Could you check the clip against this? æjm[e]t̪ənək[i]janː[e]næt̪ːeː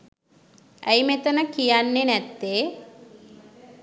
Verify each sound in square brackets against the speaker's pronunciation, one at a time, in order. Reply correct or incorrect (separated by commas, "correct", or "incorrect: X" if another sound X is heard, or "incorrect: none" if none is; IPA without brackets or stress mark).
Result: correct, correct, correct